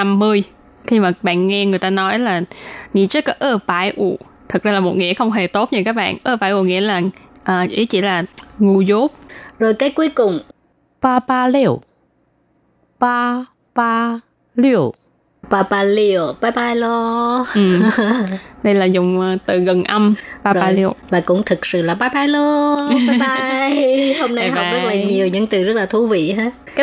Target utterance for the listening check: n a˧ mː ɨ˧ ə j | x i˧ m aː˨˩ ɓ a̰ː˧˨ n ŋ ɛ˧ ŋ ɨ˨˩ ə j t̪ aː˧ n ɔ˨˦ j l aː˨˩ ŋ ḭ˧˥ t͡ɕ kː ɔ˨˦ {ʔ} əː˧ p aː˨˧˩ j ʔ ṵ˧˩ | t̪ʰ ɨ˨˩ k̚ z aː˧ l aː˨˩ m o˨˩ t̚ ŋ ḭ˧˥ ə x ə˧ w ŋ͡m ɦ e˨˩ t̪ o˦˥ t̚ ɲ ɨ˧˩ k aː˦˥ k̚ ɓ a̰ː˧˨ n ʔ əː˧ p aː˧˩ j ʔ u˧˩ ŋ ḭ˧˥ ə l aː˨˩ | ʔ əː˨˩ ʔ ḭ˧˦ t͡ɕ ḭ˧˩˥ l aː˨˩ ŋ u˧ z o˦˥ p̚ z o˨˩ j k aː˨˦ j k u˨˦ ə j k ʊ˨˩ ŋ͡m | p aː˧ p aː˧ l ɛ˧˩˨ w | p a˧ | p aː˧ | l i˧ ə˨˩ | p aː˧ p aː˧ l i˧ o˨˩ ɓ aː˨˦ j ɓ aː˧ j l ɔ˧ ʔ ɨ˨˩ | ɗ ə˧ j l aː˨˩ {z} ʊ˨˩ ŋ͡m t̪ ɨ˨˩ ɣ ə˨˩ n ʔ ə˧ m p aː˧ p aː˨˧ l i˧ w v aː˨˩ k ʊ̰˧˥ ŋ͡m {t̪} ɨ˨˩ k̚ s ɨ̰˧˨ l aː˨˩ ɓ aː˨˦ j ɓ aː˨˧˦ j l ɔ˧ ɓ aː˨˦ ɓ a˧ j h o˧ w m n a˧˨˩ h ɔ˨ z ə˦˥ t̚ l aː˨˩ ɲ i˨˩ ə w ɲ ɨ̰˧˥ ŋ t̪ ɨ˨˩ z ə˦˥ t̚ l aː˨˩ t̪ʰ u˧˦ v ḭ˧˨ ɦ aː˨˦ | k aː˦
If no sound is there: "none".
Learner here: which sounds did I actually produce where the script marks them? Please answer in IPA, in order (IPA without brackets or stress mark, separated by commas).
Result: ʔ, z, t̪ʰ